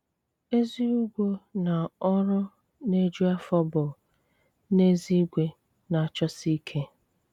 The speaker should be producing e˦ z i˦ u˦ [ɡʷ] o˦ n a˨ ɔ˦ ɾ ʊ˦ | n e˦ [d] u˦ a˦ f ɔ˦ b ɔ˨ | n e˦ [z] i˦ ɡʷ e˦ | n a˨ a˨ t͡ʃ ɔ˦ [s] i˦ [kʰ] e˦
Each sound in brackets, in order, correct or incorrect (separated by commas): correct, incorrect, correct, correct, correct